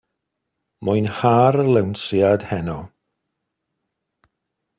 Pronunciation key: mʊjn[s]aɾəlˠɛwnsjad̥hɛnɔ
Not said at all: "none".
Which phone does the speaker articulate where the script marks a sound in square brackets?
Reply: h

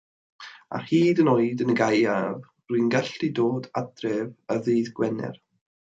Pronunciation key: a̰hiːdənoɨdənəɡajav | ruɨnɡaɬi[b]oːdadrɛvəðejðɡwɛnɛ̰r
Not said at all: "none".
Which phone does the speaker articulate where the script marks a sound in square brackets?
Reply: d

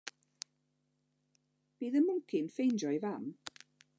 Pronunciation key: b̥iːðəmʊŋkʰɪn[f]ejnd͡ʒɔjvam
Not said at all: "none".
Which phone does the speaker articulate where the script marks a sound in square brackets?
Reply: f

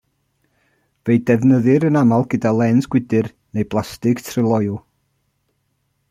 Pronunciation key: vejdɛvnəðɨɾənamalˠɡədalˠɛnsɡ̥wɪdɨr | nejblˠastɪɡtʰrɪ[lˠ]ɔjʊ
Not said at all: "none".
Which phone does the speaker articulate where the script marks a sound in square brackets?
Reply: lˠ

